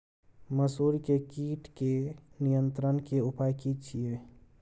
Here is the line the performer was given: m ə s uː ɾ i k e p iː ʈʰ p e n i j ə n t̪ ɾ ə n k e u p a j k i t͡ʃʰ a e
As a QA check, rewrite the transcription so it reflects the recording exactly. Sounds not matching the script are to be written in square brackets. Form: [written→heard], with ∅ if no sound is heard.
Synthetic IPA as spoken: m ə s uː ɾ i k e [p→k] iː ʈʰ [p→k] e n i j ə n t̪ ɾ ə n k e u p a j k i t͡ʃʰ [a→i] e